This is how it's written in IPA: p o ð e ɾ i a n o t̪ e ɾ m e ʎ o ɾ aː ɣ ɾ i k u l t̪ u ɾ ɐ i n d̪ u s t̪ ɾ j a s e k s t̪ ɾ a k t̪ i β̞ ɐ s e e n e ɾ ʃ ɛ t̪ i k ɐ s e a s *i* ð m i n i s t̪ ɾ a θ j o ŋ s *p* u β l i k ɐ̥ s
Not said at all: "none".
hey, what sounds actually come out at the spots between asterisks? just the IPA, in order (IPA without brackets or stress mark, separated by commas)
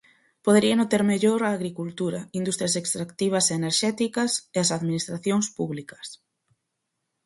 a, p